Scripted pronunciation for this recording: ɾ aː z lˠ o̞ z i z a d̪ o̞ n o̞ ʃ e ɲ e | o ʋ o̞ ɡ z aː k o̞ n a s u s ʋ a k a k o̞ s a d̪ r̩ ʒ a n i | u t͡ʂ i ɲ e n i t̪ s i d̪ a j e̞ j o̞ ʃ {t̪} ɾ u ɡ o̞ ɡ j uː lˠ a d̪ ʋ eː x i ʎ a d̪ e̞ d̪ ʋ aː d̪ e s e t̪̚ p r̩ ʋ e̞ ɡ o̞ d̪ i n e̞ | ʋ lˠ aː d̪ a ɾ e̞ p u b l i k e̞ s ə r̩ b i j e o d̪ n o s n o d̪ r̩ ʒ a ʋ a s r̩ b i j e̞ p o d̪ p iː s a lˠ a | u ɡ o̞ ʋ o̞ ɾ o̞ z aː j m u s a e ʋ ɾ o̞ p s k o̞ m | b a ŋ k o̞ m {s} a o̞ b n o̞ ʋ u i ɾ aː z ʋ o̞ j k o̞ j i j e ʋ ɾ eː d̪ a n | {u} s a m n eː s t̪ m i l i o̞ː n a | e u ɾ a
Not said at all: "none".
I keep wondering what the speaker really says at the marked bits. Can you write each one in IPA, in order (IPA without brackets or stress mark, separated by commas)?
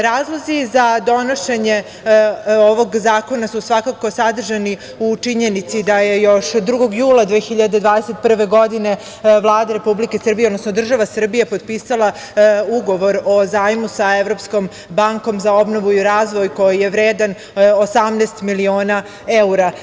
d̪, z, o